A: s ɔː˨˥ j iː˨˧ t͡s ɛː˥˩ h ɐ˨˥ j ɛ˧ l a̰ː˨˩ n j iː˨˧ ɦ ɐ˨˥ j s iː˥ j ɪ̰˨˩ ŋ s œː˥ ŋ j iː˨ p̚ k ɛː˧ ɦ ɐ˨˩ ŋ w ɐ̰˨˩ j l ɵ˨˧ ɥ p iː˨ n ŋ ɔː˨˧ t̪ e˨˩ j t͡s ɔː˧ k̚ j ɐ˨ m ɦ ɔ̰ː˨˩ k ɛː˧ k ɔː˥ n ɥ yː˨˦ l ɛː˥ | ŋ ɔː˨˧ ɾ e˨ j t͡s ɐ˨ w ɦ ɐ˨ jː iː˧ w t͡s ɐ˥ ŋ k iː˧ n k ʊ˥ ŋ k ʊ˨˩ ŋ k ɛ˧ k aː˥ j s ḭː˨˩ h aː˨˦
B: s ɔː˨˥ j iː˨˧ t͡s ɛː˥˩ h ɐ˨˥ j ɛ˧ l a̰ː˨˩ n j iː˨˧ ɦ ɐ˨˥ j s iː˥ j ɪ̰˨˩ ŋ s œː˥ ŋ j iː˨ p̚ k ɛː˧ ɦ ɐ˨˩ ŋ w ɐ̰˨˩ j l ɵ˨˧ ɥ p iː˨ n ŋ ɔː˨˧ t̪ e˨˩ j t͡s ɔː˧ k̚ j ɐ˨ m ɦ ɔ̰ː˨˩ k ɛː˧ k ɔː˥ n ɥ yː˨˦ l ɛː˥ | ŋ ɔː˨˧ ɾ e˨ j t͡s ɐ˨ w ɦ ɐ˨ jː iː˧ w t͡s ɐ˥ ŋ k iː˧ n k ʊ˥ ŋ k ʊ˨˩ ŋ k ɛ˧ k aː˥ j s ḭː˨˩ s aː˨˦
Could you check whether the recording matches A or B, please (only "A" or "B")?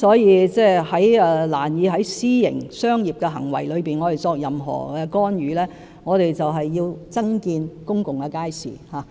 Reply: A